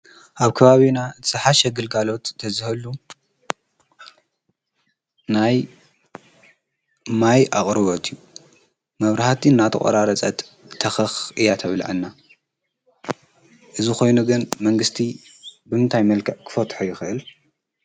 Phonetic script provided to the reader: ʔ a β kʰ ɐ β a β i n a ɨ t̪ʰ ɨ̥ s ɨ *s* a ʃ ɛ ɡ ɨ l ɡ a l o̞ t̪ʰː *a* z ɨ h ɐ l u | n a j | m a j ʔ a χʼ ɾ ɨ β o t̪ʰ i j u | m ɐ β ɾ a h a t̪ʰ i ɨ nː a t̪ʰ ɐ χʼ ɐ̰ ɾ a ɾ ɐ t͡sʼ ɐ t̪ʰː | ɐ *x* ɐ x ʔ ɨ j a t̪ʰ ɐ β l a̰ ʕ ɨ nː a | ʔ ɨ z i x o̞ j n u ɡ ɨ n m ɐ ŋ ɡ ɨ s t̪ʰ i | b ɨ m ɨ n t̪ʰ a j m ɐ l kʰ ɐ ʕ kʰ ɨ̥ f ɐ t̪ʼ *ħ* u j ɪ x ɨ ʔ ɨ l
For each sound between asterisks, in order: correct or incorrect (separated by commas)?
incorrect, incorrect, correct, correct